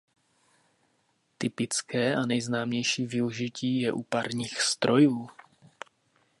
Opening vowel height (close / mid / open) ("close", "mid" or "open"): close